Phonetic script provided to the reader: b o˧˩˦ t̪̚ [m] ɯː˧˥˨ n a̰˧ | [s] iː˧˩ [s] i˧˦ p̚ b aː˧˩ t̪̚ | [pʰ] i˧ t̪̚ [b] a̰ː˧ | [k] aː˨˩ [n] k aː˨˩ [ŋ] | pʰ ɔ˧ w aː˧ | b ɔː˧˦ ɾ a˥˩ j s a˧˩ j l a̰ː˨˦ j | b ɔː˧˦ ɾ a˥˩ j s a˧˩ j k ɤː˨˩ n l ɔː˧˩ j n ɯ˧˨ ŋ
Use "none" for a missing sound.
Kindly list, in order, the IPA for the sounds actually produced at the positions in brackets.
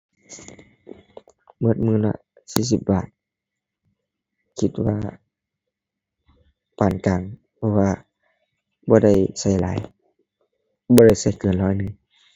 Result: m, s, s, kʰ, w, p, n, ŋ

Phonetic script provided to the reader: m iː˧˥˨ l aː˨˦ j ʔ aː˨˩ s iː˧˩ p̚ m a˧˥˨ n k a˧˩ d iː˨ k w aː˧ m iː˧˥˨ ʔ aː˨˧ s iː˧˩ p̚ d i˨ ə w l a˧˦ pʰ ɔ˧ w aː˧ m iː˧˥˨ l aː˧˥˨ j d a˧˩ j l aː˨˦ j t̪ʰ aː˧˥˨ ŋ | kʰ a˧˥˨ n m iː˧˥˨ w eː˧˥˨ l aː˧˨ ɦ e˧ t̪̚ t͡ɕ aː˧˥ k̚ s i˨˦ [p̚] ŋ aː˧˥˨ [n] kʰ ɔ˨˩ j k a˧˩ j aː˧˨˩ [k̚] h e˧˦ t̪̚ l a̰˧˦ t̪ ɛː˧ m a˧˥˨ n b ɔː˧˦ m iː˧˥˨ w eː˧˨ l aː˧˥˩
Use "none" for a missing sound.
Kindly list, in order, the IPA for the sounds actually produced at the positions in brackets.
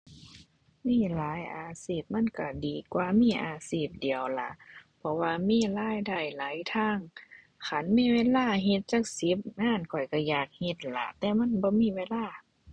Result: p̚, n, k̚

